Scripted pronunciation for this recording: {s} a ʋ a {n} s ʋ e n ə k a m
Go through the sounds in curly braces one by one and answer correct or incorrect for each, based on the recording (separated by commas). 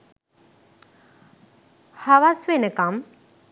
incorrect, incorrect